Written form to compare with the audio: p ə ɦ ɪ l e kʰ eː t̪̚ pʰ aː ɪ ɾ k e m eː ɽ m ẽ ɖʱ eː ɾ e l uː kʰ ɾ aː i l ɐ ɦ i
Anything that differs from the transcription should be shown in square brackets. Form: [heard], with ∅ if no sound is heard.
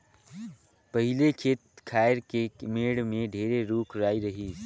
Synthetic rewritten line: p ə ɦ ɪ l e kʰ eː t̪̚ [kʰ] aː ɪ ɾ k e m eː ɽ m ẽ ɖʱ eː ɾ e [ɾ] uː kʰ ɾ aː i [ɾ] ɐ ɦ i